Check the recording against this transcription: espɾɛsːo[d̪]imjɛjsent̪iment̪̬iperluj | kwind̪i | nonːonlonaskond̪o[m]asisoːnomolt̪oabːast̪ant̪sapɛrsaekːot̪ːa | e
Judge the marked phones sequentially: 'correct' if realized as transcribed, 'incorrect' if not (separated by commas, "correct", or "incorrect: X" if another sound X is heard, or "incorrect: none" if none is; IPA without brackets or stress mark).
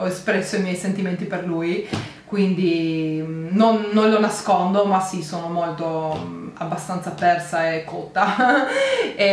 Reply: incorrect: none, correct